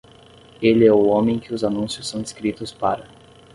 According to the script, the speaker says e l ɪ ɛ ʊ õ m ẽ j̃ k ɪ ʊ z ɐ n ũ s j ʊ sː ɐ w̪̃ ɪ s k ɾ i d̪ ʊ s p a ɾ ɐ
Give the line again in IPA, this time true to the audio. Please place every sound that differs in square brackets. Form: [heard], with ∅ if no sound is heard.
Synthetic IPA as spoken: e l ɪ ɛ ʊ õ m ẽ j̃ k ɪ ʊ z [a] n ũ s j ʊ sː [ɐ̃] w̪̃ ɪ s k ɾ i [t̪] ʊ s p a ɾ ɐ